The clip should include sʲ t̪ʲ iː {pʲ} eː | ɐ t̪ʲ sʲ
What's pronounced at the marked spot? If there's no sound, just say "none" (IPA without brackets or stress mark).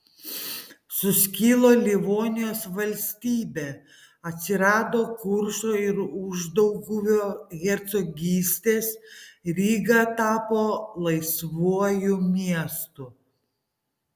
bʲ